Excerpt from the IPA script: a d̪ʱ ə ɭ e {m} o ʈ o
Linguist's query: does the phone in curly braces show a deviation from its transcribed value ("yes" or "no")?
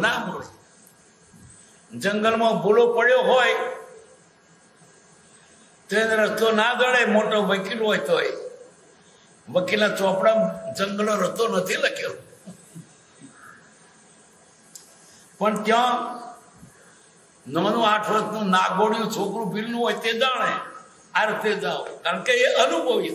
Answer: no